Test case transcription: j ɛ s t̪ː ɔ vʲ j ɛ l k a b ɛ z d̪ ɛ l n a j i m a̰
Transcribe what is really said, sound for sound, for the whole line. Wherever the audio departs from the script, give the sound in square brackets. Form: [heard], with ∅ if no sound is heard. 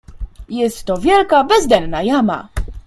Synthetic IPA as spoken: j ɛ s t̪ː ɔ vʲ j ɛ l k a b ɛ z d̪ ɛ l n a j [a] m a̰